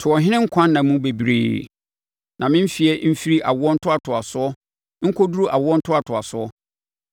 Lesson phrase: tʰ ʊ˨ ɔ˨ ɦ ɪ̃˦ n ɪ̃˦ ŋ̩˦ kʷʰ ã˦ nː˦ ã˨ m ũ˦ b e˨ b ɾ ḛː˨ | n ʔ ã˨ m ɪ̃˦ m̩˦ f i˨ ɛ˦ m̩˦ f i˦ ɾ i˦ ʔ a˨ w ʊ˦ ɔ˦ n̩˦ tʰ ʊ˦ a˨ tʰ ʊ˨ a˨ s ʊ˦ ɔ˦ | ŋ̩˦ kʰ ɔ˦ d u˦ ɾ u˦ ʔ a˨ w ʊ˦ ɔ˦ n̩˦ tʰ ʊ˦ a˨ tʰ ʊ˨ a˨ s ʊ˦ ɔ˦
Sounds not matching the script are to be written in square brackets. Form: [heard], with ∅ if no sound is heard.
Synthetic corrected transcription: tʰ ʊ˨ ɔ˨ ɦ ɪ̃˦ n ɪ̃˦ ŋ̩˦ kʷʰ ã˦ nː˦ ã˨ m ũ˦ b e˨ b ɾ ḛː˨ | n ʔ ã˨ m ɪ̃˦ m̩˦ f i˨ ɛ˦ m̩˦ f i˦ ɾ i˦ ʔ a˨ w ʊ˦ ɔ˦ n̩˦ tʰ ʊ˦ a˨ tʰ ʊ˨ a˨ s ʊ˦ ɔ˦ | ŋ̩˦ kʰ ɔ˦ d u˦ ɾ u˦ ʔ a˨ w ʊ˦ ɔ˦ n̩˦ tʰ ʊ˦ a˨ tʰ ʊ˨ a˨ s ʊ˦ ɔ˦